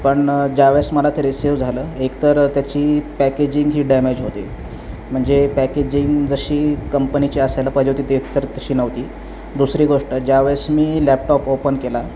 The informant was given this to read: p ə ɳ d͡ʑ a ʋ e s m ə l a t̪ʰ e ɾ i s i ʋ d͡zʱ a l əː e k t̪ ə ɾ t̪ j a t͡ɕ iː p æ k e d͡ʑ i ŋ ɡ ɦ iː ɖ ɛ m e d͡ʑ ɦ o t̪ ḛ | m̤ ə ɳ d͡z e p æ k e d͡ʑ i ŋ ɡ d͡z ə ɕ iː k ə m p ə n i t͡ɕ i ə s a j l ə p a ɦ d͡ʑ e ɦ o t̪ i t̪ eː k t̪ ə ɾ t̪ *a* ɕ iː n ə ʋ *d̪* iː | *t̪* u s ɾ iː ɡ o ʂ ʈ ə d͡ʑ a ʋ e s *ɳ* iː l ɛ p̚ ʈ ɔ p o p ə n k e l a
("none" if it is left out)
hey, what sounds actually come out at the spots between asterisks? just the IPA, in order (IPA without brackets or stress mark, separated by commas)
ə, t̪, d̪, m